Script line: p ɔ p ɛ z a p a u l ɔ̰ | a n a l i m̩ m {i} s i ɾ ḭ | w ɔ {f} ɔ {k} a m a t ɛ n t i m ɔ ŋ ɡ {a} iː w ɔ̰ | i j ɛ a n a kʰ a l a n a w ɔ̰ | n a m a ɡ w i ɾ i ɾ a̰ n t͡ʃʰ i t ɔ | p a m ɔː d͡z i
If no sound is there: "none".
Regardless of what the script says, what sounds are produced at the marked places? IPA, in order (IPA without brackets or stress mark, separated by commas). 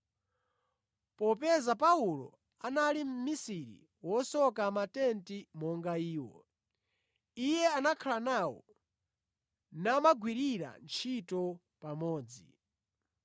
i, s, k, a